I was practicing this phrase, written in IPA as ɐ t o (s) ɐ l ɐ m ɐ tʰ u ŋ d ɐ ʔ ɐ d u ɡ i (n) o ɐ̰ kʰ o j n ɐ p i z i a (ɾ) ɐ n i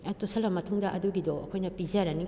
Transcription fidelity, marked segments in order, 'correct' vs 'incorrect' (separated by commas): correct, incorrect, correct